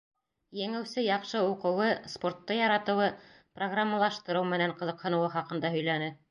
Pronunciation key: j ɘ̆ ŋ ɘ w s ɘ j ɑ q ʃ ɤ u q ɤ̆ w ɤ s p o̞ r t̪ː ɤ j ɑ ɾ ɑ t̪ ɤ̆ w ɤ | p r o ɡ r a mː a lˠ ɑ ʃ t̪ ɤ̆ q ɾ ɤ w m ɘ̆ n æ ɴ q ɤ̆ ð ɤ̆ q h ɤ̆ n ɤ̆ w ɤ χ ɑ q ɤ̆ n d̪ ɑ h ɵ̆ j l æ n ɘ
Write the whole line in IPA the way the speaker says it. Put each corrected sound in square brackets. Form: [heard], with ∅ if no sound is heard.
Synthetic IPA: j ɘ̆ ŋ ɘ w s ɘ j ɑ q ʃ ɤ u q ɤ̆ w ɤ s p o̞ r t̪ː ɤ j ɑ ɾ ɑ t̪ ɤ̆ w ɤ | p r o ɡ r a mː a lˠ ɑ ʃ t̪ ɤ̆ [∅] ɾ ɤ w m ɘ̆ n æ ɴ q ɤ̆ ð ɤ̆ q h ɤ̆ n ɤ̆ w ɤ χ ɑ q ɤ̆ n d̪ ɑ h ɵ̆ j l æ n ɘ